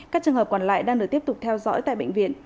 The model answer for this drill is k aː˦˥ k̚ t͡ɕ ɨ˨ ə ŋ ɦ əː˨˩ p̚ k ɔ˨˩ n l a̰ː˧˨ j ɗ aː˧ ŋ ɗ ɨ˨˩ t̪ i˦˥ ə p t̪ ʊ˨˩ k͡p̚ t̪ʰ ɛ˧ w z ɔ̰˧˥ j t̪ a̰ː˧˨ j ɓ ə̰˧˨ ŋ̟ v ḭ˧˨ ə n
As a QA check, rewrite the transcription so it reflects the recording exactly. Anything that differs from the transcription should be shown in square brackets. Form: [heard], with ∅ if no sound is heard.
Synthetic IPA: k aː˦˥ k̚ t͡ɕ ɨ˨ ə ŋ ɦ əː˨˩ p̚ k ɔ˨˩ n l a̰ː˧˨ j ɗ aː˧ ŋ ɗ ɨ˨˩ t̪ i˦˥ ə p t̪ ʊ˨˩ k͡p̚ t̪ʰ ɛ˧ w z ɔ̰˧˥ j t̪ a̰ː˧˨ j ɓ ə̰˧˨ ŋ̟ v ḭ˧˨ ə n